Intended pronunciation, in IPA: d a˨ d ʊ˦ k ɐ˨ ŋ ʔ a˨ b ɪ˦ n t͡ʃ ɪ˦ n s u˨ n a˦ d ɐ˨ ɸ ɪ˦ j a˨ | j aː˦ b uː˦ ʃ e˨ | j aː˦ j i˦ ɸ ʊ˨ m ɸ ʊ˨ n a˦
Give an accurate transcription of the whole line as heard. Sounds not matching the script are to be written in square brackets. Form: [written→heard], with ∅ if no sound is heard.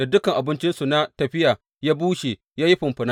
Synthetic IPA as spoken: d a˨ d ʊ˦ k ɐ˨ ŋ ʔ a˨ b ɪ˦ n t͡ʃ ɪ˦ n s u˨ n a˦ [d→t] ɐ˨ ɸ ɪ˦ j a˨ | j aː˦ b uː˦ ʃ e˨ | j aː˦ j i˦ ɸ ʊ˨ m ɸ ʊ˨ n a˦